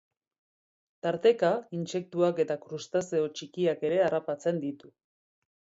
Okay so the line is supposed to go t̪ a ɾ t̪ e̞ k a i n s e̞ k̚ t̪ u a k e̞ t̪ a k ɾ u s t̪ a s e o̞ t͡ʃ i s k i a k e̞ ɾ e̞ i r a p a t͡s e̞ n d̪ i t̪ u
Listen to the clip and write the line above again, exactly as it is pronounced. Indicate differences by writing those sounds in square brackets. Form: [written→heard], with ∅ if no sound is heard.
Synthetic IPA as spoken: t̪ a ɾ t̪ e̞ k a i n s e̞ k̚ t̪ u a k e̞ t̪ a k ɾ u s t̪ a s e o̞ t͡ʃ i [s→∅] k i a k e̞ ɾ e̞ [i→a] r a p a t͡s e̞ n d̪ i t̪ u